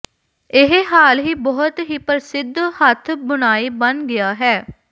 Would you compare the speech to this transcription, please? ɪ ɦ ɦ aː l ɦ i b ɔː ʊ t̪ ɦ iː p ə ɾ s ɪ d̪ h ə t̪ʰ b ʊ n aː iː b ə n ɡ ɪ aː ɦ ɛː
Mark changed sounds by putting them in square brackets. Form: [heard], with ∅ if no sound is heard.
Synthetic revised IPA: ɪ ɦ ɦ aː l ɦ [iː] b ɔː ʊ t̪ ɦ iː p ə ɾ s ɪ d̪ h ə t̪ʰ b ʊ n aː iː b ə n ɡ ɪ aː ɦ ɛː